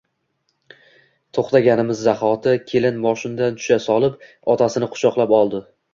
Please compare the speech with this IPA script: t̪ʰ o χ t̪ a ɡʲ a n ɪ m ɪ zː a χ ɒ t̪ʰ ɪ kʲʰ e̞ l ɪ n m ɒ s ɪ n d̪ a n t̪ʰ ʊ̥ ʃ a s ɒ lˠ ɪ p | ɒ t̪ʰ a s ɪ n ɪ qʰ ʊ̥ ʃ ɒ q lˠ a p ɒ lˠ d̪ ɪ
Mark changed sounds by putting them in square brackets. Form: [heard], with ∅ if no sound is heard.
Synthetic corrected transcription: t̪ʰ o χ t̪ a ɡʲ a n ɪ m ɪ zː a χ ɒ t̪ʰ ɪ kʲʰ e̞ l ɪ n m ɒ [ʃ] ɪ n d̪ a n t̪ʰ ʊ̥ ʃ a s ɒ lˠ ɪ p | ɒ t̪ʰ a s ɪ n ɪ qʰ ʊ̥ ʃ ɒ q lˠ a p ɒ lˠ d̪ ɪ